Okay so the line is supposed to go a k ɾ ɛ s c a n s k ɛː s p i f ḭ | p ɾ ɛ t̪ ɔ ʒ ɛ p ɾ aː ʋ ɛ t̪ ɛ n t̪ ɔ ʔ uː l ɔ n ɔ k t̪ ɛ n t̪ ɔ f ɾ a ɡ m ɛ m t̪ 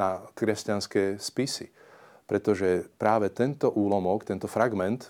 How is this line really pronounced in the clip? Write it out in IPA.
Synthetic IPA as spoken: a k ɾ ɛ s c a n s k ɛː s p i s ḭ | p ɾ ɛ t̪ ɔ ʒ ɛ p ɾ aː ʋ ɛ t̪ ɛ n t̪ ɔ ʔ uː l ɔ m ɔ k t̪ ɛ n t̪ ɔ f ɾ a ɡ m ɛ n t̪